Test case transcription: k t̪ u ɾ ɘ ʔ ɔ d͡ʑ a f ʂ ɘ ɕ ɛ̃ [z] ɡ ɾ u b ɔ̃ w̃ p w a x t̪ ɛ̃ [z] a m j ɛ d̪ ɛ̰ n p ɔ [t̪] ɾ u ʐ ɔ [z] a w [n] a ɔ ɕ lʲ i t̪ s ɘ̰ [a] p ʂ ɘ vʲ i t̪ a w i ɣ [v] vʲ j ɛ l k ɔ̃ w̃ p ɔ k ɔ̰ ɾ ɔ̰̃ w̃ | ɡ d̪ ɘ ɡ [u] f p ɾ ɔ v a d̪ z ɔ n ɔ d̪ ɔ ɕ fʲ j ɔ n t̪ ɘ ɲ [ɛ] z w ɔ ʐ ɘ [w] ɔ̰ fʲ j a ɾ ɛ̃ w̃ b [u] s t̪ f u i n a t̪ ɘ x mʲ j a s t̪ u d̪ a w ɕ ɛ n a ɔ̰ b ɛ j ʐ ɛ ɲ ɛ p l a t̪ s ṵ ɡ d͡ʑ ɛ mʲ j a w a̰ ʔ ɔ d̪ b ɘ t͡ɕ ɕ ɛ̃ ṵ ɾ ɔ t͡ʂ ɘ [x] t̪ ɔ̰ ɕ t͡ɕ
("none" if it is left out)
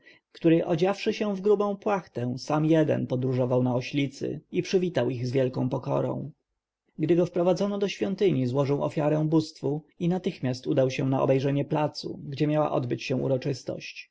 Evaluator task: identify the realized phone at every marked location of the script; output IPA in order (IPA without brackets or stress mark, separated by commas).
v, s, d̪, v, n, i, z, ɔ, i, w, u, s